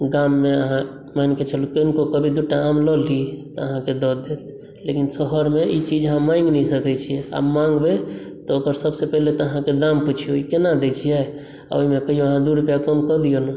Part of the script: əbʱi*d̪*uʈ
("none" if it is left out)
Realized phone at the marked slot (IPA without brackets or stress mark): d̪